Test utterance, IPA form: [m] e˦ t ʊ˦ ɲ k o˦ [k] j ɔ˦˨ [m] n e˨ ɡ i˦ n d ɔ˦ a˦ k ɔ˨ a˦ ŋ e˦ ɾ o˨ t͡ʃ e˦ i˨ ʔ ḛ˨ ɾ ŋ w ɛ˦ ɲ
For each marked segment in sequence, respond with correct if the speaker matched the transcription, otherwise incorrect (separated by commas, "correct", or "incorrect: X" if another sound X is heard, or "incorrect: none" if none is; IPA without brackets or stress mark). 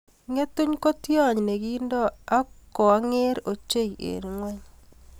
incorrect: ŋ, incorrect: t, incorrect: ɲ